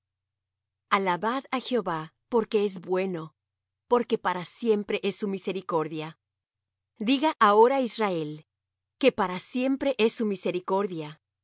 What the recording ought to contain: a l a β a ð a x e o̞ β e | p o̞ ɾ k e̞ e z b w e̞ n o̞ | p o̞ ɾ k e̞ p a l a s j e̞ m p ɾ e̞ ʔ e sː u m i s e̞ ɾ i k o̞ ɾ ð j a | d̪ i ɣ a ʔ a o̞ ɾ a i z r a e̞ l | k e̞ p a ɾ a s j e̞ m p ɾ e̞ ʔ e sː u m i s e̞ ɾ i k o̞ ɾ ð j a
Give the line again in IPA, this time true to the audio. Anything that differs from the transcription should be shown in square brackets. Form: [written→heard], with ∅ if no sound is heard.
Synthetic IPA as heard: a l a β a ð a x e o̞ β [e→a] | p o̞ ɾ k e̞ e z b w e̞ n o̞ | p o̞ ɾ k e̞ p a [l→ɾ] a s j e̞ m p ɾ e̞ ʔ e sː u m i s e̞ ɾ i k o̞ ɾ ð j a | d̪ i ɣ a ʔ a o̞ ɾ a i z r a e̞ l | k e̞ p a ɾ a s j e̞ m p ɾ e̞ ʔ e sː u m i s e̞ ɾ i k o̞ ɾ ð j a